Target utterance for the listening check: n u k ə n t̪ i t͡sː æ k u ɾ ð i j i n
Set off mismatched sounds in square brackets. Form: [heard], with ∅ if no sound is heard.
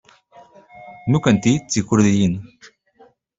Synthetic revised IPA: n u k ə n t̪ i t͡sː [i] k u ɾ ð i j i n